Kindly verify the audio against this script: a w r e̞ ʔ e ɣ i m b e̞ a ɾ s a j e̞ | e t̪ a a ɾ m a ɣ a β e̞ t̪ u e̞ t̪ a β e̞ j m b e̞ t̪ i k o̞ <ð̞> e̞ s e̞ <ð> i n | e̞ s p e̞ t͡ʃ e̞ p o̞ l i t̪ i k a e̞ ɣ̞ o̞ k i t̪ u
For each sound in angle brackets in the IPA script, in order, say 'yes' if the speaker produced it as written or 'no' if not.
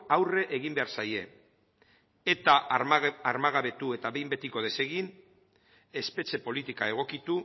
yes, no

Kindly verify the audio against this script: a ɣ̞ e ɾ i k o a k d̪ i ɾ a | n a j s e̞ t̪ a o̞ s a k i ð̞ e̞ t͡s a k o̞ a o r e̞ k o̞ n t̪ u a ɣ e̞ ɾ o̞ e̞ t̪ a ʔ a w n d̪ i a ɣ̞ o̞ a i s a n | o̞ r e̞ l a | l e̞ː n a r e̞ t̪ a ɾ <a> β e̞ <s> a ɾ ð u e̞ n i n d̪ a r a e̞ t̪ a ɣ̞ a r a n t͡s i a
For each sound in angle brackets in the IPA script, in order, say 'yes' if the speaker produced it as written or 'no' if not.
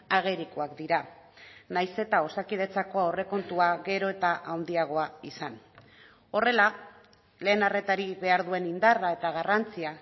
no, no

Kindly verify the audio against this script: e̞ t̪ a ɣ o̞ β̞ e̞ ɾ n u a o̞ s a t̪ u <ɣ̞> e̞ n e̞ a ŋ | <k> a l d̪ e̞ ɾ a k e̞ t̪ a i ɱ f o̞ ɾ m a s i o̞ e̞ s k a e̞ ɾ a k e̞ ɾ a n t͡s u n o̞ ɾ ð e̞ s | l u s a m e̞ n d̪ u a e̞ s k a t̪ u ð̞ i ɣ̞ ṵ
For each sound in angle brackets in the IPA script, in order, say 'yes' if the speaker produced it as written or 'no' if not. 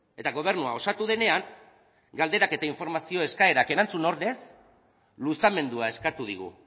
no, no

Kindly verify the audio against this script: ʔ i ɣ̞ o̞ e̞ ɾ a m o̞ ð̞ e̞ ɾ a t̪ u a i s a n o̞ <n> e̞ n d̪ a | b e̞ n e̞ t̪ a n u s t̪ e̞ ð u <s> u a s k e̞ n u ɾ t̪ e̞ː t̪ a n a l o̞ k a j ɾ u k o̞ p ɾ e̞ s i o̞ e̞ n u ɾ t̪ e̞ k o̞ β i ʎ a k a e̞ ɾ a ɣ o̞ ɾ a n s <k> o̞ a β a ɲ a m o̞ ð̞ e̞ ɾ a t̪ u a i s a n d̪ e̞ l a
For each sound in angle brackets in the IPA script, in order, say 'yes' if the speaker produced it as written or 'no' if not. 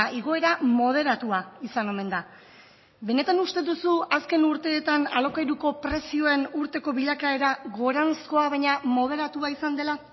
no, yes, yes

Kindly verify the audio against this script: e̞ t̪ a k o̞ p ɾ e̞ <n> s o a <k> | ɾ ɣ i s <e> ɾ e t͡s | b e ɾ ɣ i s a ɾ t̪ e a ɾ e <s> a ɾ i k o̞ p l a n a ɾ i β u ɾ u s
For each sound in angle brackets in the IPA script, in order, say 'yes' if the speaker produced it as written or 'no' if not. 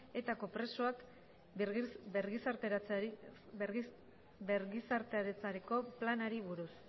no, yes, no, no

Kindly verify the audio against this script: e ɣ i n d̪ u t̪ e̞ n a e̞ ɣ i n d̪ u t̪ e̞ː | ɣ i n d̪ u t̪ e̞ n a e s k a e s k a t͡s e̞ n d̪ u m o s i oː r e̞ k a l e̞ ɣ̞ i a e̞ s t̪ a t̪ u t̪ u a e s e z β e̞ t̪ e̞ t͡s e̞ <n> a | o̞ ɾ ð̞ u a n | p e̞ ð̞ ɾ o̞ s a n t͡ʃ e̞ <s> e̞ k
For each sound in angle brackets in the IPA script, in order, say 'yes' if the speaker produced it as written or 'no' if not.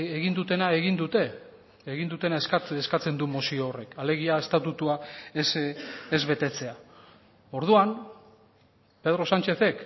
no, no

